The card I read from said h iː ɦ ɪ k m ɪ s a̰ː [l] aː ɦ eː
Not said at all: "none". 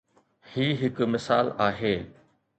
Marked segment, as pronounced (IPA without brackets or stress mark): l